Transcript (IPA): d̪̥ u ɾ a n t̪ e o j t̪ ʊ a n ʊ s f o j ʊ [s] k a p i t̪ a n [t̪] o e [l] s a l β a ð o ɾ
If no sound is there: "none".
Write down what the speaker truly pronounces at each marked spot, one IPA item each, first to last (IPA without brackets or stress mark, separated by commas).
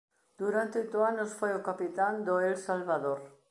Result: none, d̪, l